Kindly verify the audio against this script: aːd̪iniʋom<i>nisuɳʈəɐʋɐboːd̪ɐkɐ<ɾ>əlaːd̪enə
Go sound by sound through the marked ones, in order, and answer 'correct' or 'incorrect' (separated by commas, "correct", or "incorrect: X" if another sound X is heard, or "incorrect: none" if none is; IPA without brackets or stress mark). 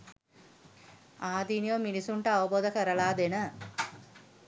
correct, correct